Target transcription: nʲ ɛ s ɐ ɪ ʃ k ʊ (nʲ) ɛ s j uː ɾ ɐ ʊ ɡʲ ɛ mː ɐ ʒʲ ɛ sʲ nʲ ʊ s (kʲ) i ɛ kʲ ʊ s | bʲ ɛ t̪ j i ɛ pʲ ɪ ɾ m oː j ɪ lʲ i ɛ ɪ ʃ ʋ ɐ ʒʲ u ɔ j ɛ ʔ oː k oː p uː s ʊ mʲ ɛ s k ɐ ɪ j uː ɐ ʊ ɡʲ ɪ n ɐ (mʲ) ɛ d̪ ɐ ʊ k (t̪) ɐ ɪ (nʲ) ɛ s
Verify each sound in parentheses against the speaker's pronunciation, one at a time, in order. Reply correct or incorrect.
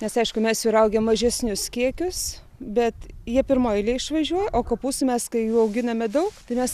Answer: incorrect: mʲ, correct, correct, correct, incorrect: mʲ

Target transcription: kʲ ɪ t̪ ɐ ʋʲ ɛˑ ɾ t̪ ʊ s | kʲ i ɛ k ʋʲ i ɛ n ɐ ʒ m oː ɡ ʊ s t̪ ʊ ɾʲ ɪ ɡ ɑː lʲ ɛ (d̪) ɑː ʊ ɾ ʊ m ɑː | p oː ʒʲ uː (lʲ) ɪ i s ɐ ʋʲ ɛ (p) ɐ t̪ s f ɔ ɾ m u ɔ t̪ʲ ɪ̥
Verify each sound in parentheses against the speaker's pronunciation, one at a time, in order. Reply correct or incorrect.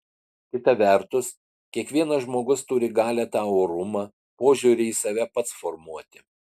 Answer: incorrect: t̪, incorrect: ɾʲ, correct

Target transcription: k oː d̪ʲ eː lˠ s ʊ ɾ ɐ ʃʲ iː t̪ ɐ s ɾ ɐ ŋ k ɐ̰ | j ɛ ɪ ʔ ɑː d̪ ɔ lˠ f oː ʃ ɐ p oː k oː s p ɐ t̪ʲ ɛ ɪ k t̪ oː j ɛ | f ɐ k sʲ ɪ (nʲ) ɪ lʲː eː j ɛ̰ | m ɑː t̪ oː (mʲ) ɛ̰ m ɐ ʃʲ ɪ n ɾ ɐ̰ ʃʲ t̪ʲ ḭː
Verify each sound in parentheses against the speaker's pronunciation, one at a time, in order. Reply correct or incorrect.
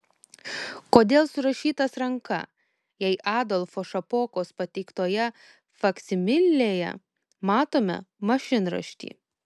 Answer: incorrect: mʲ, correct

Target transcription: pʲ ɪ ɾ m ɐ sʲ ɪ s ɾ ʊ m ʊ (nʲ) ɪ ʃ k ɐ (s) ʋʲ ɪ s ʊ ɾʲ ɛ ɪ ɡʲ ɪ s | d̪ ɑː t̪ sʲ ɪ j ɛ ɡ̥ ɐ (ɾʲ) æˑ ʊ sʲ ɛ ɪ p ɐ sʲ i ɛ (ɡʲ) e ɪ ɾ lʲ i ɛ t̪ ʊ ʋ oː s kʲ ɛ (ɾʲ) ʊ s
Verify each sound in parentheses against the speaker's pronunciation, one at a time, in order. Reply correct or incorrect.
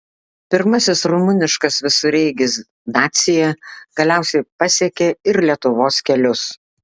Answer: correct, correct, incorrect: lʲ, incorrect: kʲ, incorrect: lʲ

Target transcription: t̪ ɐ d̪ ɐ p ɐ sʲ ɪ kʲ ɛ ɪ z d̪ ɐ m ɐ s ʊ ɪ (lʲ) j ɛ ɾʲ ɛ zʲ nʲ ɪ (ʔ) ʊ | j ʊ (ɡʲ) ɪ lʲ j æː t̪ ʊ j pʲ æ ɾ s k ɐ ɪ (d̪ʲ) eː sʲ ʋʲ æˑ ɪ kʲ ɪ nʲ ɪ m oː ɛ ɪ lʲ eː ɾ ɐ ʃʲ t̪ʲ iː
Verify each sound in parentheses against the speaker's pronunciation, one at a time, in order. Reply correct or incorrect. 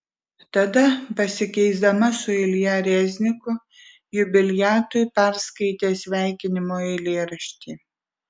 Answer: correct, incorrect: k, incorrect: bʲ, incorrect: t̪ʲ

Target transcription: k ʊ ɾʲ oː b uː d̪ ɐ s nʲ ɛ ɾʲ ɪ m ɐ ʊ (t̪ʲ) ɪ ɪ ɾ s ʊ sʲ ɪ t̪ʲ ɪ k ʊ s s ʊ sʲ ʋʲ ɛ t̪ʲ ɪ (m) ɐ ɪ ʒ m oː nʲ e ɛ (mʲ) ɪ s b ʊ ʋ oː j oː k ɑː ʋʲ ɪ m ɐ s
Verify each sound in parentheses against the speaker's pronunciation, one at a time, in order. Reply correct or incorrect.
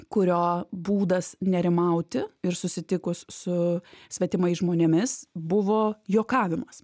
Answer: correct, correct, correct

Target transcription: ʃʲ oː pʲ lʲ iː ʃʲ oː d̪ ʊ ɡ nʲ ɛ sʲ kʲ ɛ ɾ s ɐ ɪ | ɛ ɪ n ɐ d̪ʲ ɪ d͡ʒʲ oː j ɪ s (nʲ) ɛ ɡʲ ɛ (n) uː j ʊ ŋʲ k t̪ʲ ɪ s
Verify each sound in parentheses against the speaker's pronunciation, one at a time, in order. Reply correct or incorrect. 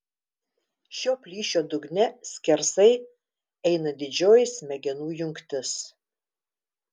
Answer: incorrect: mʲ, correct

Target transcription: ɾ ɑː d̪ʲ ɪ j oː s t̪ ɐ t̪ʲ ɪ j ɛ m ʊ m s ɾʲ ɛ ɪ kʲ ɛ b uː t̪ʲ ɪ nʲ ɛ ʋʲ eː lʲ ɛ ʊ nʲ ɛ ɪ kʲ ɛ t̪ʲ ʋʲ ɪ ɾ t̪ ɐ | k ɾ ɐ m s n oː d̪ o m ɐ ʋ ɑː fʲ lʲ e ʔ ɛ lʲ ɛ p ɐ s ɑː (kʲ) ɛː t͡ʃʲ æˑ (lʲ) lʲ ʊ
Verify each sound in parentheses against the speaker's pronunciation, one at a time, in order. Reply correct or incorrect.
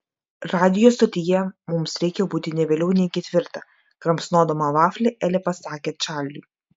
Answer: correct, correct

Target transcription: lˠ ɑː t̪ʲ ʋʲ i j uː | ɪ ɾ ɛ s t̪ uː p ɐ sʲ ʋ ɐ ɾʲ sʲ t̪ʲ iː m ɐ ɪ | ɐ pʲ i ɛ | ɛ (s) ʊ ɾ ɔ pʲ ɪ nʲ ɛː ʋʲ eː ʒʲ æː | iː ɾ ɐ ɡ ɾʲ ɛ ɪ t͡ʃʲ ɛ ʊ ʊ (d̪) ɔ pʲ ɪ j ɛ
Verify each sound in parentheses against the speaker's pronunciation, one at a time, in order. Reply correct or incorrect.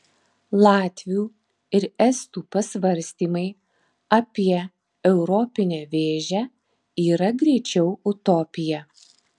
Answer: incorrect: none, incorrect: t̪

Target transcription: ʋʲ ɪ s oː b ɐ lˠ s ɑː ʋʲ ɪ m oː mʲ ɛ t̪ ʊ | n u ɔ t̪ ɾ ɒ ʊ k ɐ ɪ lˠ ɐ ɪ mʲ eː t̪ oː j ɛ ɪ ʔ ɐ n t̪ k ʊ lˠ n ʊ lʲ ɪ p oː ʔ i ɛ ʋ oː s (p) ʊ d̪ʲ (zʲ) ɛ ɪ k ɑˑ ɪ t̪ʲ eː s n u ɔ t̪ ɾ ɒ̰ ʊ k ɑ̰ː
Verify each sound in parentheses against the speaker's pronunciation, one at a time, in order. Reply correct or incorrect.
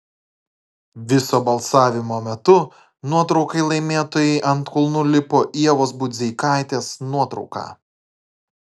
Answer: incorrect: b, correct

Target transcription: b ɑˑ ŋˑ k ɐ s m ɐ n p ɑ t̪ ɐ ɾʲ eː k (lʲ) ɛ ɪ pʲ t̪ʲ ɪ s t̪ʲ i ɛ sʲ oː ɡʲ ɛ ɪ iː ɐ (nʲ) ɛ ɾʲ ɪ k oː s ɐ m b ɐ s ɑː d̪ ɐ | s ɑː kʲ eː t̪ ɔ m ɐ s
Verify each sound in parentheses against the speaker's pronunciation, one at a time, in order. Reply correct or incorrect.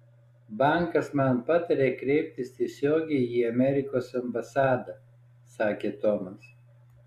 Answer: incorrect: ɾʲ, incorrect: mʲ

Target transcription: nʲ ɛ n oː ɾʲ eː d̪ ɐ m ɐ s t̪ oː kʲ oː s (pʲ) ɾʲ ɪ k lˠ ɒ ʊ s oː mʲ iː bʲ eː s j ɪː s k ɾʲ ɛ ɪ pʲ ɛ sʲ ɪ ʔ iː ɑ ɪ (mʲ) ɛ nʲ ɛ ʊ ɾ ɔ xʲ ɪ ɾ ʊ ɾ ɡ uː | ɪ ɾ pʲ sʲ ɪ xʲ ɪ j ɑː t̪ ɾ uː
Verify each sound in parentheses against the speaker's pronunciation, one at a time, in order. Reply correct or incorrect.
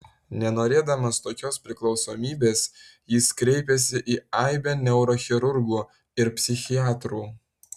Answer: correct, incorrect: bʲ

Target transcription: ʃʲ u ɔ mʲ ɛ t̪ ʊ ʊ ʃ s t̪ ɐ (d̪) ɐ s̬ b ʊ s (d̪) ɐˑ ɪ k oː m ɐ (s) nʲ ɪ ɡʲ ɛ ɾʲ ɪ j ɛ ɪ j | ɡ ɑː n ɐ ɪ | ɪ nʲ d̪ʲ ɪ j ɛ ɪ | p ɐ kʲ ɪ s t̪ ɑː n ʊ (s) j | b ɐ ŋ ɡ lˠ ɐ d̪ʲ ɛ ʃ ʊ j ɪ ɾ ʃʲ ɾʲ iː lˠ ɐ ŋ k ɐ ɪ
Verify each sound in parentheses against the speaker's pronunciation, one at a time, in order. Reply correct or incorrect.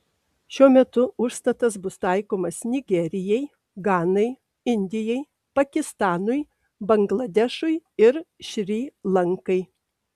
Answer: incorrect: t̪, incorrect: t̪, correct, incorrect: none

